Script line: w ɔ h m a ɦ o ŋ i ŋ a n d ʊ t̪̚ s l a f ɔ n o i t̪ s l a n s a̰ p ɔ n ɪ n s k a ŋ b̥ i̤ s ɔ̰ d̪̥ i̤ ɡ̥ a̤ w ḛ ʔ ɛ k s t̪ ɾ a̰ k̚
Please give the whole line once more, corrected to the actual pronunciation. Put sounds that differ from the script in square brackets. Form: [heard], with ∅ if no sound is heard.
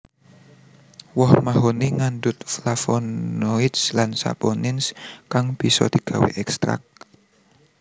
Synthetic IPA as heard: w ɔ h m a ɦ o [n] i ŋ a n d ʊ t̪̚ [f] l a f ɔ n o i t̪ s l a n s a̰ p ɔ n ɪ n s k a ŋ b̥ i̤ s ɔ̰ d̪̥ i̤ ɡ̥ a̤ w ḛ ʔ ɛ k s t̪ ɾ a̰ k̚

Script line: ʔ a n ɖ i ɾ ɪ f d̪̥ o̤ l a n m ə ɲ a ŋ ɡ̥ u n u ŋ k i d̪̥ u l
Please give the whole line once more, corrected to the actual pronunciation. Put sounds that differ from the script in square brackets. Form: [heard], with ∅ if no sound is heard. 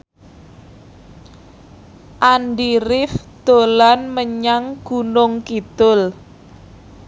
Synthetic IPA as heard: ʔ a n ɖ i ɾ ɪ f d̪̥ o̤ l a n m ə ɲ a ŋ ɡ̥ u n [ʊ] ŋ k i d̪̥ [ʊ] l

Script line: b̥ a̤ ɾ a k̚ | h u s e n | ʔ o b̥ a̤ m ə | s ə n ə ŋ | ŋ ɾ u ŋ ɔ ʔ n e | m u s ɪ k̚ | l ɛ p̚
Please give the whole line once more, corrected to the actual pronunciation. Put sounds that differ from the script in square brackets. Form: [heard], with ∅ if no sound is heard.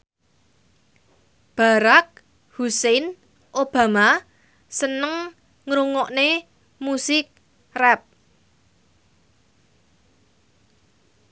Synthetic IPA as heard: b̥ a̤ ɾ a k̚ | h u s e n | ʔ o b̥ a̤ m [a] | s ə n ə ŋ | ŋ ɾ u ŋ ɔ ʔ n e | m u s ɪ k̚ | [r] ɛ p̚

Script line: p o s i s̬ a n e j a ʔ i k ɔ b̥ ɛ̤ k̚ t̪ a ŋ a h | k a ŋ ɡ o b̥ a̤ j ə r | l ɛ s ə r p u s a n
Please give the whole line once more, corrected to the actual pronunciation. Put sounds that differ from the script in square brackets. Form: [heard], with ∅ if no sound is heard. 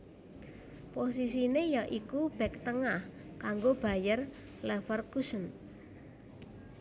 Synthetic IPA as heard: p o s i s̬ [i] n e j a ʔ i k [u] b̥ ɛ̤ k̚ t̪ [ə] ŋ a h | k a ŋ ɡ o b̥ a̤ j ə r | l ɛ [f] ə r [k] u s [ə] n

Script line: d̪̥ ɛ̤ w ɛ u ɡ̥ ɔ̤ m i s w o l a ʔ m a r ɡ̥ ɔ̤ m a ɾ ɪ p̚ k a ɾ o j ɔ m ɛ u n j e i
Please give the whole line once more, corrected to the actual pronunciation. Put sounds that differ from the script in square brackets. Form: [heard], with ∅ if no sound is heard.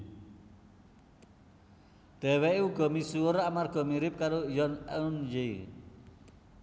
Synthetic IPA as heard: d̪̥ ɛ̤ w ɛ u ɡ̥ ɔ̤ m i s [u] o [ɾ] a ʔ m a r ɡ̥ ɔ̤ m [i] ɾ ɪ p̚ k a ɾ o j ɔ [n] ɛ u n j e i

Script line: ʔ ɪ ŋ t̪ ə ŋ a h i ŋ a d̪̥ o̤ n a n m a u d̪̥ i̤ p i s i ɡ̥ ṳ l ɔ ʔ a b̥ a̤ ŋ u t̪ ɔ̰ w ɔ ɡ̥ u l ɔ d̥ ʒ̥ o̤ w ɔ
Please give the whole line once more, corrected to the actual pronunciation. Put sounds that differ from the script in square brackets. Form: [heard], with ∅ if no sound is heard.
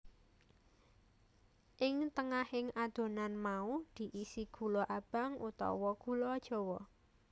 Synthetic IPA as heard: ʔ ɪ ŋ t̪ ə ŋ a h [ɪ] ŋ a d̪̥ o̤ n a n m a u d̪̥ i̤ [ʔ] i s i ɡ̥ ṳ l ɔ ʔ a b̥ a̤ ŋ u t̪ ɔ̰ w ɔ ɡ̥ u l ɔ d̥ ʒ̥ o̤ w ɔ

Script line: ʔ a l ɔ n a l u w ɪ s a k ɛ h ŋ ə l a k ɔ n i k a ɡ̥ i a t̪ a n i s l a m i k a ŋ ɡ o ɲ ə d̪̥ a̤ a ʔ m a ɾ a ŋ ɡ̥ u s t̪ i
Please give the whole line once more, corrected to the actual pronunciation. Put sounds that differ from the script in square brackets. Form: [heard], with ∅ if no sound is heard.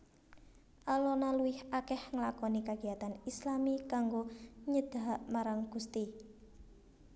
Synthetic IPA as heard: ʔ a l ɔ n a l u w ɪ [h] a k ɛ h ŋ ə l a k ɔ n i k a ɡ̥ i a t̪ a n i s l a m i k a ŋ ɡ o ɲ ə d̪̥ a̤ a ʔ m a ɾ a ŋ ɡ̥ u s t̪ i

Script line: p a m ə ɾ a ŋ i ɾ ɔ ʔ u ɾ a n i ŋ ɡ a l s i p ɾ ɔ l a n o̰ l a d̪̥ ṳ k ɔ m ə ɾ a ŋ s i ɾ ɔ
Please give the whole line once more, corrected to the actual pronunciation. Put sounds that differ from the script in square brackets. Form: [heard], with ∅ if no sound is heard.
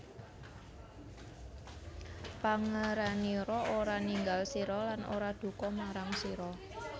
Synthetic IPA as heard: p a [ŋ] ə ɾ a [n] i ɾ ɔ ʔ [o] ɾ a n i ŋ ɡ a l s i [∅] ɾ ɔ l a n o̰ [ɾ] a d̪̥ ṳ k ɔ m [a] ɾ a ŋ s i ɾ ɔ

